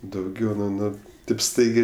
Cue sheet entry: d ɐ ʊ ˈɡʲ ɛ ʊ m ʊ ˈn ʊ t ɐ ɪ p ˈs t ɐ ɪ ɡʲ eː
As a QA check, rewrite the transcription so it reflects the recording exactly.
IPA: d ɐ ʊ ˈɡʲ ɛ ʊ n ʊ ˈn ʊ t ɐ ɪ p ˈs t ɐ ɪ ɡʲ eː